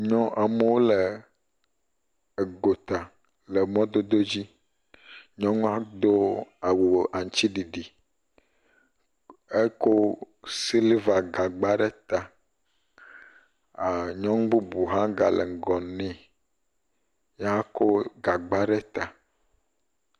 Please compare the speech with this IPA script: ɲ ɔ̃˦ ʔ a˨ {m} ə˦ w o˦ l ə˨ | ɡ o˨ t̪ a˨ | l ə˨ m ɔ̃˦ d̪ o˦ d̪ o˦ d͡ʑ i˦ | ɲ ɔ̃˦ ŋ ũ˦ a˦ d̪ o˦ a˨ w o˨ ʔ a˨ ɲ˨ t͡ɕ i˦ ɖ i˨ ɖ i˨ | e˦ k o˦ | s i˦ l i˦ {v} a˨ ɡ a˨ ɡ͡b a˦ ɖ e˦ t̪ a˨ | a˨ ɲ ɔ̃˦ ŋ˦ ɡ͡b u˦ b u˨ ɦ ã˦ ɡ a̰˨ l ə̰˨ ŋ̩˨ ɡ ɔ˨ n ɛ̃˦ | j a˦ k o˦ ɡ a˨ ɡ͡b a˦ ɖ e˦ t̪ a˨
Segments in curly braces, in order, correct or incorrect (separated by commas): correct, correct